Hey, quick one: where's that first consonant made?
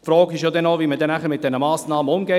lips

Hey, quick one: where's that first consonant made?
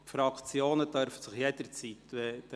lips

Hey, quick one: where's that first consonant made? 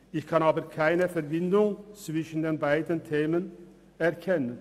palate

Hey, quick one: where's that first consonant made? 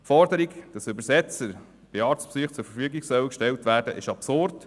lips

